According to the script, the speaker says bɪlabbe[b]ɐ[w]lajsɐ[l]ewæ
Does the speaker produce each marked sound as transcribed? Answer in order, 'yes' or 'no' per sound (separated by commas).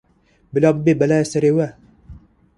yes, no, no